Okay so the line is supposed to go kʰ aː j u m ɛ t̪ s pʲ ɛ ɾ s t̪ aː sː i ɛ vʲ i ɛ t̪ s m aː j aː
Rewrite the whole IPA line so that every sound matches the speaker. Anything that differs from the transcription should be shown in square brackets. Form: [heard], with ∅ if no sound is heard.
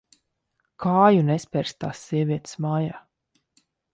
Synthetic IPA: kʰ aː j u [n] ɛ [∅] s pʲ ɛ ɾ s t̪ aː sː i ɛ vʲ i ɛ t̪ s m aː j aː